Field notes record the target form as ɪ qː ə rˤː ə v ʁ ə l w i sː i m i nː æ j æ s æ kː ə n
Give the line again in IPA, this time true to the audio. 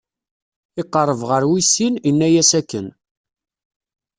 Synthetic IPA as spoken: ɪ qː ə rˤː ə v ʁ ə ɾ w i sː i n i nː æ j æ s æ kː ə n